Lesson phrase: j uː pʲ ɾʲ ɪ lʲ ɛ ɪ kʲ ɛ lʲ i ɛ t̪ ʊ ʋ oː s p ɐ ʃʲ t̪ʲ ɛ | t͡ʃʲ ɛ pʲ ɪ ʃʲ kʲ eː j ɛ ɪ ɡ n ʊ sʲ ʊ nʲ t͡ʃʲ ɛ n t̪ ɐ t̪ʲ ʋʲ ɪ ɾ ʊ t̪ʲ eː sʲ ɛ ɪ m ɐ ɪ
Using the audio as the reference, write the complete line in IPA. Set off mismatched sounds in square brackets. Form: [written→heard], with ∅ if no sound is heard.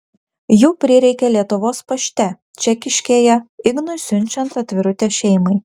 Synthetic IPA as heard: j uː pʲ ɾʲ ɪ [lʲ→ɾʲ] ɛ ɪ kʲ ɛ lʲ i ɛ t̪ ʊ ʋ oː s p ɐ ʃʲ t̪ʲ ɛ | t͡ʃʲ ɛ [pʲ→kʲ] ɪ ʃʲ kʲ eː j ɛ ɪ ɡ n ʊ sʲ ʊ nʲ t͡ʃʲ ɛ n t̪ ɐ t̪ʲ ʋʲ ɪ ɾ ʊ t̪ʲ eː [sʲ→ʃʲ] ɛ ɪ m ɐ ɪ